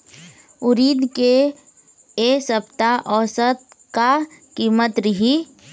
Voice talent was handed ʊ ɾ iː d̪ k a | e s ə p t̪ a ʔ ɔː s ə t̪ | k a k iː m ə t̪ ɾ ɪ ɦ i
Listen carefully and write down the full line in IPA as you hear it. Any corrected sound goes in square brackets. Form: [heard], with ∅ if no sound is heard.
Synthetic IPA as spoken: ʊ ɾ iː d̪ k [e] | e s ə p t̪ a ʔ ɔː s ə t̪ | k a k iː m ə t̪ ɾ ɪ ɦ i